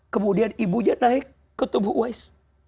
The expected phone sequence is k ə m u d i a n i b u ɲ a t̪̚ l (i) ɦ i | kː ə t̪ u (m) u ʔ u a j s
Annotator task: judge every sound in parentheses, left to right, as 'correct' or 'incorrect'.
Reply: incorrect: a, incorrect: b

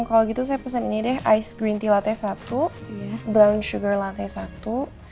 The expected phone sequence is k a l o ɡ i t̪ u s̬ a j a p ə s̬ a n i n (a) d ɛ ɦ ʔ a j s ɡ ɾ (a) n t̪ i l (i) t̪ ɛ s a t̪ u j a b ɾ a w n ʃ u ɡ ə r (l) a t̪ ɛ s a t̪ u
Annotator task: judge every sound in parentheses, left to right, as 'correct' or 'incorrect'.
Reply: incorrect: i, incorrect: i, incorrect: a, correct

